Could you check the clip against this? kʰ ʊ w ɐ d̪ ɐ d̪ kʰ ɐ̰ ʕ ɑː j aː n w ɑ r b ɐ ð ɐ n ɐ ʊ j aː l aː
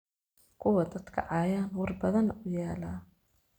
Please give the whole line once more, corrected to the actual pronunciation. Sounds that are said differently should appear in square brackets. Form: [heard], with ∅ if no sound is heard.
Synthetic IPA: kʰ ʊ w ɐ d̪ ɐ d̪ kʰ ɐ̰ ʕ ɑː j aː n w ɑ r b ɐ ð ɐ n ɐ ʊ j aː l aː